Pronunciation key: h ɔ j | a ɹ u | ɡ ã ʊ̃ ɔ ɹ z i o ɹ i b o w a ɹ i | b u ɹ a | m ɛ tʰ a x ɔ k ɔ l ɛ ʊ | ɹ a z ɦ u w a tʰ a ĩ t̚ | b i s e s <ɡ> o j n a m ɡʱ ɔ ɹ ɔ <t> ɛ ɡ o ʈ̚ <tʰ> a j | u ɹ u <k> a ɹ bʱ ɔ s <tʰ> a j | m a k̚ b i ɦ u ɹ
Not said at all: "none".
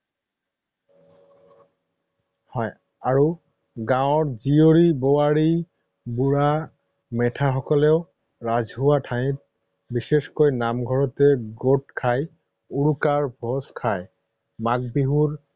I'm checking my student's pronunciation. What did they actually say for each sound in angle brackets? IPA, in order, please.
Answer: k, t, kʰ, k, kʰ

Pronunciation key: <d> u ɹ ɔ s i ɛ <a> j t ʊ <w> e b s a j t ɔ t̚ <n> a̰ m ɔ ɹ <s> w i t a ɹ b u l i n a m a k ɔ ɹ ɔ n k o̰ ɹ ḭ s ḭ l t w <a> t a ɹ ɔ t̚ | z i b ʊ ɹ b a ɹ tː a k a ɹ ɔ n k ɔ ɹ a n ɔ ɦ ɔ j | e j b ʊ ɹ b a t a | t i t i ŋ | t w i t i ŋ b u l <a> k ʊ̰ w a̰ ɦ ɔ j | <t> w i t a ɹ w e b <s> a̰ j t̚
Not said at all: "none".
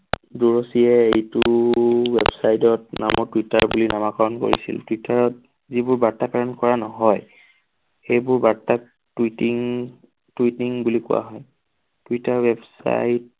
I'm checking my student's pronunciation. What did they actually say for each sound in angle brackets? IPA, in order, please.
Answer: d, e, w, n, t, i, i, t, s

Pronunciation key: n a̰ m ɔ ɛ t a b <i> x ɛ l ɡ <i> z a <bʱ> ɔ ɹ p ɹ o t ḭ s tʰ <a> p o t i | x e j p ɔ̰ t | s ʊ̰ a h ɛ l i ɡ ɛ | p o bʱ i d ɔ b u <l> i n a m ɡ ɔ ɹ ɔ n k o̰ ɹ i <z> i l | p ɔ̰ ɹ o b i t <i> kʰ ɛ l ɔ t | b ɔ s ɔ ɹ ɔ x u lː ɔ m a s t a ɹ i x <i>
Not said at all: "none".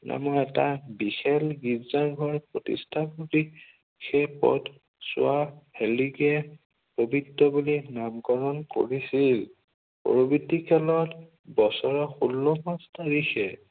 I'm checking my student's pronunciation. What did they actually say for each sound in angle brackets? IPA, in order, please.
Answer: i, i, ɡʱ, a, l, s, i, ɛ

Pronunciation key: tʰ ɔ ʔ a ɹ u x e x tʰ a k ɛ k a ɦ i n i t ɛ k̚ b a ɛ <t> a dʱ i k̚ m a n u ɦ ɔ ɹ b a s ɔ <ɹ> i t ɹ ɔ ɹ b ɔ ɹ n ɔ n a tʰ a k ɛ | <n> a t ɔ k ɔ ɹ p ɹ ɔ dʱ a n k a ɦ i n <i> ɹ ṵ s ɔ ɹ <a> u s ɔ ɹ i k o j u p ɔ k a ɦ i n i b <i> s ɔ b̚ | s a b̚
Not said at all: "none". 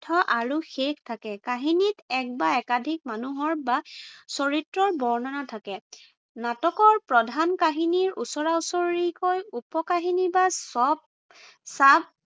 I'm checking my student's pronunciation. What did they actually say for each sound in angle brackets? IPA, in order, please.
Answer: k, ɹ, n, i, a, a

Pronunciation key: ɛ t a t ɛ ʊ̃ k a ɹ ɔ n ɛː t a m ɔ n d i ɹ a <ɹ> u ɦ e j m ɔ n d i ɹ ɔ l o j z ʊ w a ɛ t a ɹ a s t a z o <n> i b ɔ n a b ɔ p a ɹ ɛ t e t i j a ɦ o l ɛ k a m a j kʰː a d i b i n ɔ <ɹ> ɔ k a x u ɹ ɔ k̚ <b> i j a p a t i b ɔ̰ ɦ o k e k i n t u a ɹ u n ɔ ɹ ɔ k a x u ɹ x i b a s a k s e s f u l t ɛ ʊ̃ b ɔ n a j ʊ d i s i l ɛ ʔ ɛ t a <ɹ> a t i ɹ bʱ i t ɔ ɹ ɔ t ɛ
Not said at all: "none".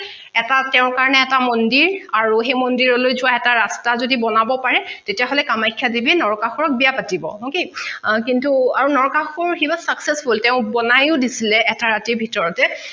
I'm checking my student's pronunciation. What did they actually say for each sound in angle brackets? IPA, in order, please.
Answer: ɹ, d, ɹ, b, ɹ

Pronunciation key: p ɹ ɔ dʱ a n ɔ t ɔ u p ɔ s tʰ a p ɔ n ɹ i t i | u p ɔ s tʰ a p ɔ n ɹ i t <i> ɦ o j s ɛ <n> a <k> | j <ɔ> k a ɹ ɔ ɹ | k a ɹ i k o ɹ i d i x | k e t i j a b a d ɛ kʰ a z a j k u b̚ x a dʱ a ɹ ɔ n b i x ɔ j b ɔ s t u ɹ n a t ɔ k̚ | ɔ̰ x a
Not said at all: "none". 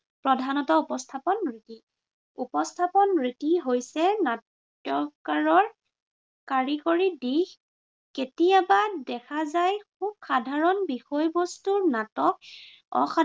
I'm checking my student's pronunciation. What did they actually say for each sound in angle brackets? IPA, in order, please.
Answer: i, n, t, ɔ

